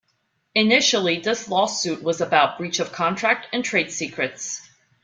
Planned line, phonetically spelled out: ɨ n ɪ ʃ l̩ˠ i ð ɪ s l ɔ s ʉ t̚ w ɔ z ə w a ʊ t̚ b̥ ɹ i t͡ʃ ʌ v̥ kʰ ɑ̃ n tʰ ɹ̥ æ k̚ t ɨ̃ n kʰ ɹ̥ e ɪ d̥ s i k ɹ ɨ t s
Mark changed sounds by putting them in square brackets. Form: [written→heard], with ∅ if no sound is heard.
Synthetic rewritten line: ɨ n ɪ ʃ l̩ˠ i ð ɪ s l ɔ s ʉ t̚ w [ɔ→ʌ] z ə [w→b] a ʊ t̚ b̥ ɹ i t͡ʃ ʌ v̥ kʰ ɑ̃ n tʰ ɹ̥ æ k̚ t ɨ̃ n [kʰ→tʰ] ɹ̥ e ɪ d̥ s i k ɹ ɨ t s